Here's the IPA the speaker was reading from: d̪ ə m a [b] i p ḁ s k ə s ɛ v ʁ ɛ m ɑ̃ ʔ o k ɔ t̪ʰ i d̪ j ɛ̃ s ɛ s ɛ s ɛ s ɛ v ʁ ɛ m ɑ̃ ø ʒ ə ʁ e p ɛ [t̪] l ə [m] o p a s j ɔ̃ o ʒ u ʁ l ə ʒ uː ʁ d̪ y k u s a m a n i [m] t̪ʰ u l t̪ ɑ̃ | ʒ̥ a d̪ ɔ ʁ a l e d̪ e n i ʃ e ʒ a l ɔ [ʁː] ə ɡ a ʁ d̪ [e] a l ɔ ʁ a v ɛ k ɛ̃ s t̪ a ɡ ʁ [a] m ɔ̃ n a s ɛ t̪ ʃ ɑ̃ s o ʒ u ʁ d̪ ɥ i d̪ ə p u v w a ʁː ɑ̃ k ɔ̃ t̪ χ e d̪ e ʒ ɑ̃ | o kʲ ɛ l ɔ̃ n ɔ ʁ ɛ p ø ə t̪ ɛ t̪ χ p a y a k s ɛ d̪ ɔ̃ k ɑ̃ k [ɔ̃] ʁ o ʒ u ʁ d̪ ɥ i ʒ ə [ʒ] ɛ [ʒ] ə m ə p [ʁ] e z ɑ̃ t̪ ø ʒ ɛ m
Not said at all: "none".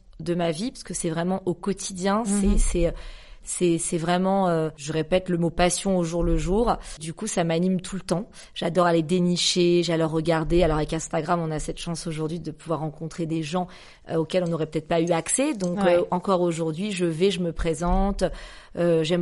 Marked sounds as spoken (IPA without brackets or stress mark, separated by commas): v, t̪, m, m, ʁː, e, a, ɔ, v, ʒ, χ